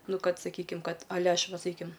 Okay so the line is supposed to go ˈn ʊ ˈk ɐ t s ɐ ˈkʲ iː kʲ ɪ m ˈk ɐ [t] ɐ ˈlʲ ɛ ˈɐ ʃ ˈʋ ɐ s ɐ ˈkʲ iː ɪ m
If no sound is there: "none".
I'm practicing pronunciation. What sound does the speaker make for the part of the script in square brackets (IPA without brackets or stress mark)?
t